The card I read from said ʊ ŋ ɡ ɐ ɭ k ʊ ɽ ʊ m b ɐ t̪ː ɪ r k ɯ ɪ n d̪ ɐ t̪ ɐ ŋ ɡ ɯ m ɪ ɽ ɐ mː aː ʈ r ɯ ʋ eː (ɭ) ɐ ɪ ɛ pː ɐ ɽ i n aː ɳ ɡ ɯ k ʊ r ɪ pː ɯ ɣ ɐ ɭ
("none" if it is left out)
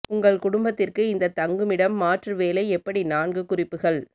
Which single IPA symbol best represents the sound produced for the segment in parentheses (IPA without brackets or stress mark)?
l